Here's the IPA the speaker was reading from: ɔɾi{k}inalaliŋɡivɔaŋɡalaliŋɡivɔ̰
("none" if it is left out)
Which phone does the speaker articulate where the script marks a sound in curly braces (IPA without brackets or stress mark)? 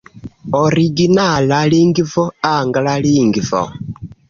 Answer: ɡ